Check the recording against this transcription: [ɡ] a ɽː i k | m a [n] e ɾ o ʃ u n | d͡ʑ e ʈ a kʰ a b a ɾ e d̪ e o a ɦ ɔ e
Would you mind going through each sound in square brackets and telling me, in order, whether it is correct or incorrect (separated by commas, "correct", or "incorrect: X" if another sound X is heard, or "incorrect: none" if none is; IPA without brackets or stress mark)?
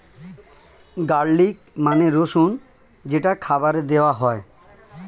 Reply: correct, correct